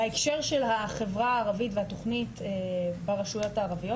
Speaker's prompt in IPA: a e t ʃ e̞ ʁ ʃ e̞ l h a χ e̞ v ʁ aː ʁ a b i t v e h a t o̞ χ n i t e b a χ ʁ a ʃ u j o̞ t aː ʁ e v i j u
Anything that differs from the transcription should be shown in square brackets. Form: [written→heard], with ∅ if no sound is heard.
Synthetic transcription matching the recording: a e [t→k] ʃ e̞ ʁ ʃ e̞ l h a χ e̞ v ʁ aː ʁ a [b→v] i t v e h a t o̞ χ n i t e b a [χ→∅] ʁ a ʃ u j o̞ t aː ʁ [e→a] v i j [u→o]